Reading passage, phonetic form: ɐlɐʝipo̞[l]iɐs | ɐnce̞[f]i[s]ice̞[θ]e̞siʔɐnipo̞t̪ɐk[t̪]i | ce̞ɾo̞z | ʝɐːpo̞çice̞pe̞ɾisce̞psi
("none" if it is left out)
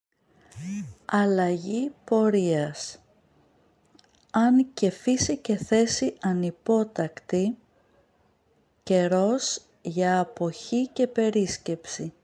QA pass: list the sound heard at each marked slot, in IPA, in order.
ɾ, f, s, θ, t̪

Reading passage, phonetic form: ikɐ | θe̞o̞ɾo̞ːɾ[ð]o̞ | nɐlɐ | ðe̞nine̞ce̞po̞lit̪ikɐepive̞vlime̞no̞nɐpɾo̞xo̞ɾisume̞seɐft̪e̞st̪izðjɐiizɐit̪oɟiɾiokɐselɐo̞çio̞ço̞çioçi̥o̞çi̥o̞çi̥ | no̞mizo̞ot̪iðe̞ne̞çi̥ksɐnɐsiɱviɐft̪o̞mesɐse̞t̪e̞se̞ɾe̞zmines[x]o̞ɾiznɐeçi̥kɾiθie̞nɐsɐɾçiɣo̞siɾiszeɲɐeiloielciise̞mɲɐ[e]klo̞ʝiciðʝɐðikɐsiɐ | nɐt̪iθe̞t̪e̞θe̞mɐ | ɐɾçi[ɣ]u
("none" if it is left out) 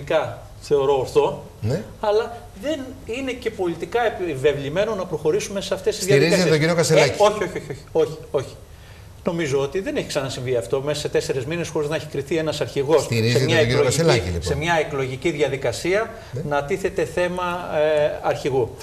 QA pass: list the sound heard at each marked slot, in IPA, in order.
θ, x, e, ɣ

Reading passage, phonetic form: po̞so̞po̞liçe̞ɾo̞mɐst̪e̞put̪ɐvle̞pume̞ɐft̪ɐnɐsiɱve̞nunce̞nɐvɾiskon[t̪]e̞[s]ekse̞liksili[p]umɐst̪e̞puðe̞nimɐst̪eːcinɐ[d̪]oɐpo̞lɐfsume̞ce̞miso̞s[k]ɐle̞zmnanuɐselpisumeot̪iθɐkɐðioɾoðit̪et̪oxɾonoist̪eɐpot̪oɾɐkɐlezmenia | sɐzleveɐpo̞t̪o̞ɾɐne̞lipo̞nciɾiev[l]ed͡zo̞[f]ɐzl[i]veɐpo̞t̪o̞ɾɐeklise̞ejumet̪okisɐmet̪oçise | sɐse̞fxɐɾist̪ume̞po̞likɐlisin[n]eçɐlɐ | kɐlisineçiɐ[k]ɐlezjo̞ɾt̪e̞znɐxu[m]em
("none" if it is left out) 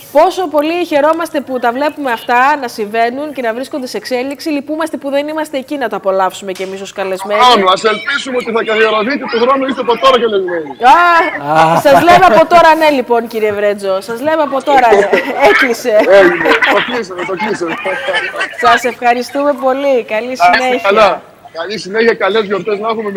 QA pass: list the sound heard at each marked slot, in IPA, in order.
d̪, s, p, t̪, k, ɾ, s, e, n, k, m

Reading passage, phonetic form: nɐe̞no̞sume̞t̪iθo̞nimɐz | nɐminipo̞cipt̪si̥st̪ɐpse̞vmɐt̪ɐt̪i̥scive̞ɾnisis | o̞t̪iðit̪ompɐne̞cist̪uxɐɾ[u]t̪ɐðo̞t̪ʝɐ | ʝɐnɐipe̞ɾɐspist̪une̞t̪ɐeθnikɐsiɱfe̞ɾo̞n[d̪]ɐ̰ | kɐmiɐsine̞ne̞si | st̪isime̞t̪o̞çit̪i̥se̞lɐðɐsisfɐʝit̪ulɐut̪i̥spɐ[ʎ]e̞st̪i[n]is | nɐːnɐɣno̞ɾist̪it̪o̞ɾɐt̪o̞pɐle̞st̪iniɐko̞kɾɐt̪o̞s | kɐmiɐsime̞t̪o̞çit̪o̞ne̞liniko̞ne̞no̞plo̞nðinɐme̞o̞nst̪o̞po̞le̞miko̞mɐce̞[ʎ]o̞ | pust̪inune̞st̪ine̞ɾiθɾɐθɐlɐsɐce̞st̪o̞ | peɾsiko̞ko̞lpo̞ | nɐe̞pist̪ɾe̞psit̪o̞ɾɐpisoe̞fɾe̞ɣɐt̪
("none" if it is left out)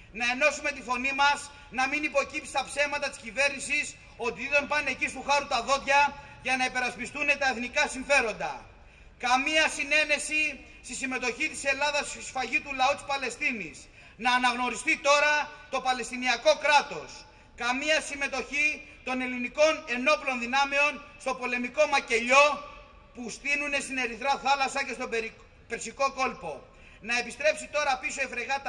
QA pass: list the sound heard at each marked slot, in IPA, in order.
u, d̪, l, n, ʎ

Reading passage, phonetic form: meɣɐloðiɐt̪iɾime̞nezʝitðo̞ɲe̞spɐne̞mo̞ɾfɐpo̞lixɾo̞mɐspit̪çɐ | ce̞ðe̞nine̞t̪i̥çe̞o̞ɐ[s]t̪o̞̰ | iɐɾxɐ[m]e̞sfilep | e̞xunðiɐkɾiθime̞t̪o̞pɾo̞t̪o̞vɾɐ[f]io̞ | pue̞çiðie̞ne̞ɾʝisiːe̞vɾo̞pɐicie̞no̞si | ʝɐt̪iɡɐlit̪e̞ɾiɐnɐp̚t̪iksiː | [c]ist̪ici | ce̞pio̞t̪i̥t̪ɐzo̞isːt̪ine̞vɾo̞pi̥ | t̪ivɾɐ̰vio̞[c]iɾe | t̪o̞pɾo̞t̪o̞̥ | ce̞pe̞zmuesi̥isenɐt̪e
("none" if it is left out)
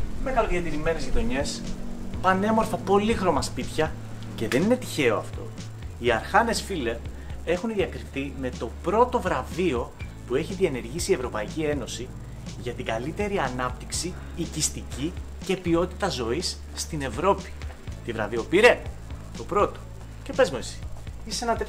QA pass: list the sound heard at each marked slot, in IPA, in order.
f, n, v, c, p

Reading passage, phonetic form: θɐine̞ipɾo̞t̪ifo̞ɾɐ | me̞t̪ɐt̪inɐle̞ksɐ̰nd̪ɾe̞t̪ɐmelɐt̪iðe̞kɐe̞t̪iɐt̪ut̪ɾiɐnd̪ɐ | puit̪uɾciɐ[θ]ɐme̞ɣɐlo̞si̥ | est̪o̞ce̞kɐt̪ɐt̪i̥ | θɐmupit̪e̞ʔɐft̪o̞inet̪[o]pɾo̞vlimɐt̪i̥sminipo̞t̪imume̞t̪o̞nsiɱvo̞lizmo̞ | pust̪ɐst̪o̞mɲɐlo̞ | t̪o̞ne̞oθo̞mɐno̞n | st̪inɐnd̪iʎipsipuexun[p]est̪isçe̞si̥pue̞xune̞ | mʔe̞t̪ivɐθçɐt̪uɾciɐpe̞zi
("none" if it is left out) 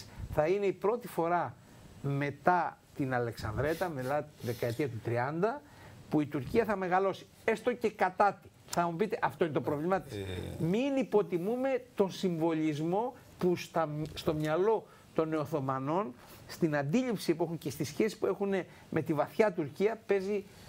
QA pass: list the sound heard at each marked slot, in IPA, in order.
θ, o, c

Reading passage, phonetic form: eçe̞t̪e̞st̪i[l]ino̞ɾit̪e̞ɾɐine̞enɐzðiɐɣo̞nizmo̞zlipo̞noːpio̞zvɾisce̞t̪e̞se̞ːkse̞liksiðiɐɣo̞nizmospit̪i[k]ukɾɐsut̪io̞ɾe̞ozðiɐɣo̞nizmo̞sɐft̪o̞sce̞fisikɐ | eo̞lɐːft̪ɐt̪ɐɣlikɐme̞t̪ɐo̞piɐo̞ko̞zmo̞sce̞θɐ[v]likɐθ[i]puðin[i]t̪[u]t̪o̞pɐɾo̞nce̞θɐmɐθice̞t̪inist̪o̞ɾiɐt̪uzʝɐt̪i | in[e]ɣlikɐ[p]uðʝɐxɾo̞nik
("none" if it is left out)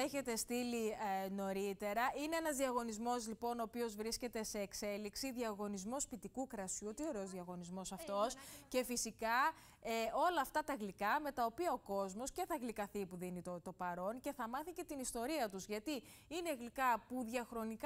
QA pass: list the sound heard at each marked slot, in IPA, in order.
l, k, ɣ, i, i, o, e, p

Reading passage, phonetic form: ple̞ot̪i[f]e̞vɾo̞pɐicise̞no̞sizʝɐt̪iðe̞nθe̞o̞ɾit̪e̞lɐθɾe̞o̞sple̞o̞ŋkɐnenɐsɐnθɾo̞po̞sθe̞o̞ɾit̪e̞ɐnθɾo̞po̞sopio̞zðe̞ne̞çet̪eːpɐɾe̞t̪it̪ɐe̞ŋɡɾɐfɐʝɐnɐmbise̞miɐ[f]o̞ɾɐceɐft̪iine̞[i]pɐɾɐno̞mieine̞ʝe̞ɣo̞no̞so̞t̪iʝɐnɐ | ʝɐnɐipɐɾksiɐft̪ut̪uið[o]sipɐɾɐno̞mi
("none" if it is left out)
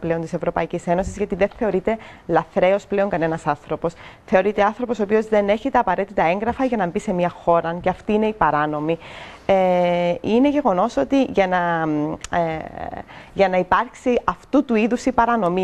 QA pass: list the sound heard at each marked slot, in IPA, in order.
s, x, i, u

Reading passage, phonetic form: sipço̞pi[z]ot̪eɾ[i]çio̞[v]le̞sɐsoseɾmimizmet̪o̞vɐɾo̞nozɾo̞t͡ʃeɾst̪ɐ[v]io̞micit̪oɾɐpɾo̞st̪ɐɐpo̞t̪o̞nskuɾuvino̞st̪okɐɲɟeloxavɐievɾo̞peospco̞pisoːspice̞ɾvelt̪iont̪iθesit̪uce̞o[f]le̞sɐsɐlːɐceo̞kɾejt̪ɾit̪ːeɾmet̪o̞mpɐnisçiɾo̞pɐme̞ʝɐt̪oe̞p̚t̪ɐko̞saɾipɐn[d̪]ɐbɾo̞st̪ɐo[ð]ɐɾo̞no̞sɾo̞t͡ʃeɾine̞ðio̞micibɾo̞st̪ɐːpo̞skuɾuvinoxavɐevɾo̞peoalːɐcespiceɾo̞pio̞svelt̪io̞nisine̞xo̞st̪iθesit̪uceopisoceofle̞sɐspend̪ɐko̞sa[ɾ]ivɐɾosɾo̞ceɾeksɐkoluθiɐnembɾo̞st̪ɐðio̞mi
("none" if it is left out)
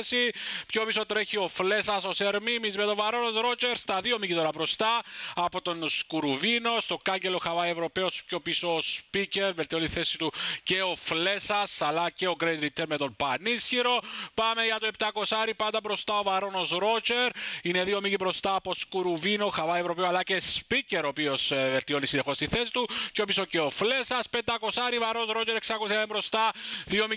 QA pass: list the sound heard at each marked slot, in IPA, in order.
s, e, f, ð, f, d̪, v, ɾ

